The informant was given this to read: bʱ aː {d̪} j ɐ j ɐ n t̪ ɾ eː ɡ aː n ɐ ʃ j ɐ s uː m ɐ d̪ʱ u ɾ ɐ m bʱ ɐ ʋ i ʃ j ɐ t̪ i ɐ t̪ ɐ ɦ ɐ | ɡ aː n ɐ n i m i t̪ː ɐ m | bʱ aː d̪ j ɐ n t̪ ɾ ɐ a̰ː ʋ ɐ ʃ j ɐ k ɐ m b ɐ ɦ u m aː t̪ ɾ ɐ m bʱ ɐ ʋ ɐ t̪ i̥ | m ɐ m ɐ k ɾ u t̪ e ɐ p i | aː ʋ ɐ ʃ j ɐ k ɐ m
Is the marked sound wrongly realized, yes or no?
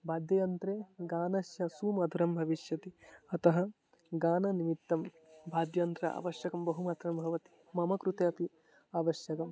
no